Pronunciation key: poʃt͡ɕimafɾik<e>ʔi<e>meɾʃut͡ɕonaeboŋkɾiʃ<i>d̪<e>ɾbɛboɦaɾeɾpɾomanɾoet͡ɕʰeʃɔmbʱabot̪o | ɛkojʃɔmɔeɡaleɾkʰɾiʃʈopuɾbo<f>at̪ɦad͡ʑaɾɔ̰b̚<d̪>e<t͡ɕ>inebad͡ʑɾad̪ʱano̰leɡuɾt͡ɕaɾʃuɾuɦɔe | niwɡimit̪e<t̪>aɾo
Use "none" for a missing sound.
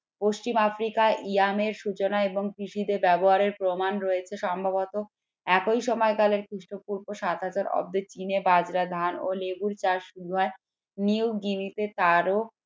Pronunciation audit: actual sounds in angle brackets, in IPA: a, a, i, e, ʃ, d̪, t͡ɕ, t̪

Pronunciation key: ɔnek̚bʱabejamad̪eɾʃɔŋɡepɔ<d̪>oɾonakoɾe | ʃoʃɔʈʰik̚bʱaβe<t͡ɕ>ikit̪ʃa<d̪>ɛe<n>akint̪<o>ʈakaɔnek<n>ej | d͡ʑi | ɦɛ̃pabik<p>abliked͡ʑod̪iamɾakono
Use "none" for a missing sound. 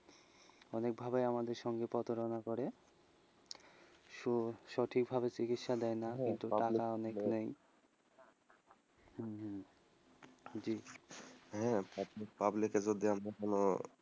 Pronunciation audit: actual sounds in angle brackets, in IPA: t̪, t͡ɕ, d̪, n, u, n, p

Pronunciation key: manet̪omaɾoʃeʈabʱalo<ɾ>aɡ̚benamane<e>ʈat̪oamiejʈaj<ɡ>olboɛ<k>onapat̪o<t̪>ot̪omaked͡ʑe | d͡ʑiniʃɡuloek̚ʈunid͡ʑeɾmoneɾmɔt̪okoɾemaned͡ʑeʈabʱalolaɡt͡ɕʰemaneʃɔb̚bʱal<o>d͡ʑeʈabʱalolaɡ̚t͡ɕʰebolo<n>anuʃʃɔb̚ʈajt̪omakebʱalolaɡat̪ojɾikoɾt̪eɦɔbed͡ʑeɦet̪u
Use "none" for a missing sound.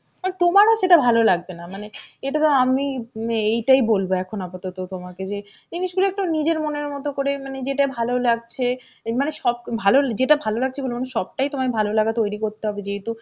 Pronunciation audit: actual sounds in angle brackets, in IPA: l, e, b, kʰ, t̪, o, m

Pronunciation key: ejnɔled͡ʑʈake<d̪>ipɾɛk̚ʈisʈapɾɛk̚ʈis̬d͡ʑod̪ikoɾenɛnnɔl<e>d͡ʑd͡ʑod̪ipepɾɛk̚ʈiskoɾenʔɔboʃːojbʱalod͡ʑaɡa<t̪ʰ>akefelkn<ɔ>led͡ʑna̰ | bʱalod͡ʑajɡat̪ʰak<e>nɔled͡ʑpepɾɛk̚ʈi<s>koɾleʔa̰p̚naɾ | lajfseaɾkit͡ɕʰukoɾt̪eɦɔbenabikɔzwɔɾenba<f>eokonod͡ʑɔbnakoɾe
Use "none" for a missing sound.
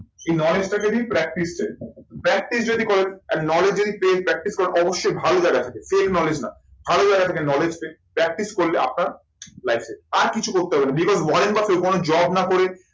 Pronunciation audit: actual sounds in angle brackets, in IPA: d̪, e, t̪ʰ, ɔ, e, s, f

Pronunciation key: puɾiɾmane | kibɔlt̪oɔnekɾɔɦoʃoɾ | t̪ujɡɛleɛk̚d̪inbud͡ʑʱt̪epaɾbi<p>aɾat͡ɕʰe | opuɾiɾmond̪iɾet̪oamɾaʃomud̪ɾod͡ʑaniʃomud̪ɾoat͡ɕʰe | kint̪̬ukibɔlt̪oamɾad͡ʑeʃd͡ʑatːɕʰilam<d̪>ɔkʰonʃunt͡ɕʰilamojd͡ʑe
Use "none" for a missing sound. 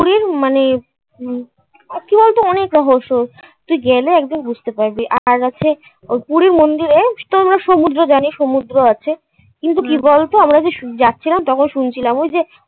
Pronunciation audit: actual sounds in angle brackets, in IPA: ʔ, t̪

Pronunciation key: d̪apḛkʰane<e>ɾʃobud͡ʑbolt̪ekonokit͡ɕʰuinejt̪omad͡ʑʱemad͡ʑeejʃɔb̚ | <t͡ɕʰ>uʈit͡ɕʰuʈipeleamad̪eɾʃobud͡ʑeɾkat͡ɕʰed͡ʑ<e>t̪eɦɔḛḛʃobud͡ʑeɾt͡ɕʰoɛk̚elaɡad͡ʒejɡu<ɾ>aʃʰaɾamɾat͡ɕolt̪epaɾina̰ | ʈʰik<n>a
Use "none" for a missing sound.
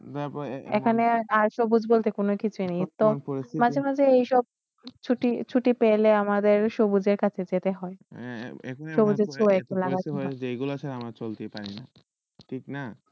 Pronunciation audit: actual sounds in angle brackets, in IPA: a, t͡ɕʰ, e, l, n

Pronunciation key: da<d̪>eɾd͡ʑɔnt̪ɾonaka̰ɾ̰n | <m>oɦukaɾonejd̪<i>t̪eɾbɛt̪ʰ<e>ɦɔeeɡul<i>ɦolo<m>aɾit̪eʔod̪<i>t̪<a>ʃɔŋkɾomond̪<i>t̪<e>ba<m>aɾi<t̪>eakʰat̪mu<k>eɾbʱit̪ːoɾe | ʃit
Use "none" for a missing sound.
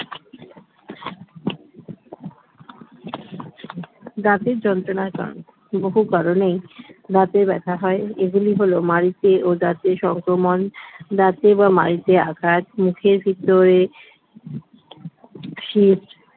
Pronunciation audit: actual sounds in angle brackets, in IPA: t̪, b, a, a, i, m, a, e, a, e, m, t̪, kʰ

